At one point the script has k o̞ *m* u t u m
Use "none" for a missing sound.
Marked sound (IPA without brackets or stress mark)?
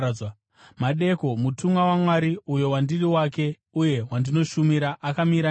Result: m